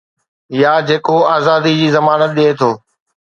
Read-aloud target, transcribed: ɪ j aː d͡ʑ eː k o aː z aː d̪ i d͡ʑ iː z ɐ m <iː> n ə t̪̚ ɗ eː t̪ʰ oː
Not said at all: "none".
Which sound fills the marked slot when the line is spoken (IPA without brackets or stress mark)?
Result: aː